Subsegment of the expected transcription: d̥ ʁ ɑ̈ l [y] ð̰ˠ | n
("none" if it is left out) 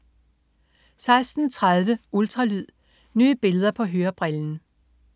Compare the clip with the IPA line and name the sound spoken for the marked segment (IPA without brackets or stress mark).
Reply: y